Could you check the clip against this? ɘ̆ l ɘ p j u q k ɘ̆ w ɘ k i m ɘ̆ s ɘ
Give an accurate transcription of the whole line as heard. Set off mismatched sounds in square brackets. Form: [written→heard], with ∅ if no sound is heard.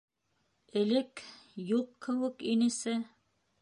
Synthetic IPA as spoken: ɘ̆ l ɘ [p→k] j u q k ɘ̆ w ɘ k i [m→n] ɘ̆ s ɘ